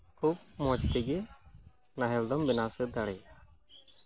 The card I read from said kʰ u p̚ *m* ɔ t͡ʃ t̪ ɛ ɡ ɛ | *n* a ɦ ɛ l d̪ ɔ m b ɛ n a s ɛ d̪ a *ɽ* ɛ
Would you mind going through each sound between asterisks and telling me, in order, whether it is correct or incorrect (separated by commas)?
correct, correct, correct